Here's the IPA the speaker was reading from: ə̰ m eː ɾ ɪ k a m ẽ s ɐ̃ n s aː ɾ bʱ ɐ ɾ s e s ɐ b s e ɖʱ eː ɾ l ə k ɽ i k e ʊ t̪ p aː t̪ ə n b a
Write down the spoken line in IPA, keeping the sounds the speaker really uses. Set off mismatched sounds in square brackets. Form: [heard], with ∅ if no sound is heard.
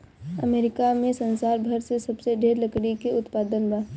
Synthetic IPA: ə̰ m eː ɾ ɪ k a m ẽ s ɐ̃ n s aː ɾ bʱ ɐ ɾ s e s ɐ b s e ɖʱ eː ɾ l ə k ɽ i k e ʊ t̪ p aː [d̪] ə n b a